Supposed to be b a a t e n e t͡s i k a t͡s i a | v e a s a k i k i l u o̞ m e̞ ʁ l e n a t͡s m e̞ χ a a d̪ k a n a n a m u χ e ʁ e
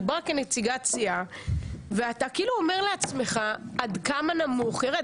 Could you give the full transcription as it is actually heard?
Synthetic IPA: b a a k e n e t͡s i ɡ a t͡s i a | v e a t a k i i l u o̞ m e̞ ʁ l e a t͡s m e̞ χ a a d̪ k a m a n a m u χ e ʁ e